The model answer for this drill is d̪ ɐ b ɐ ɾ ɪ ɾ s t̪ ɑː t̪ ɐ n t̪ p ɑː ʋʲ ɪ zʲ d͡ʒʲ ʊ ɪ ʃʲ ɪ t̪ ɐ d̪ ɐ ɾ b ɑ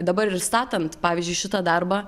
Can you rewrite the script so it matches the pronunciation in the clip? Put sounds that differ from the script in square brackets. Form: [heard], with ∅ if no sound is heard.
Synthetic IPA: d̪ ɐ b ɐ ɾ ɪ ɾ s t̪ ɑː t̪ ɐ n t̪ p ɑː ʋʲ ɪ zʲ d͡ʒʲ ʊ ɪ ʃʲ ɪ t̪ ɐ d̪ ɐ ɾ b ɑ